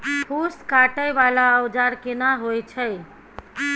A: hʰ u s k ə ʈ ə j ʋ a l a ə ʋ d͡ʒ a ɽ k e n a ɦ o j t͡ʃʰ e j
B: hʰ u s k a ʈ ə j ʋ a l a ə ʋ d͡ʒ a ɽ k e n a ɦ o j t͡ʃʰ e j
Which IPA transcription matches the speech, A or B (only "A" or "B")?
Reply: B